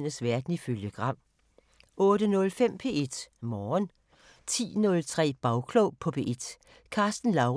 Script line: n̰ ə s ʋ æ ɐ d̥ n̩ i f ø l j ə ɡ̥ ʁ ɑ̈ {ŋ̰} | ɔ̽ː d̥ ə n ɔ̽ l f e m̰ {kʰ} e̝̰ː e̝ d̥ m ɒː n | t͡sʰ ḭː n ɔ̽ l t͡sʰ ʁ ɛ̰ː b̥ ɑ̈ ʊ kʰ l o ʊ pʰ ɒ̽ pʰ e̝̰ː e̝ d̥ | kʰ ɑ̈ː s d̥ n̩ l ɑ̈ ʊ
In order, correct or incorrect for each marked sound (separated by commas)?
incorrect, incorrect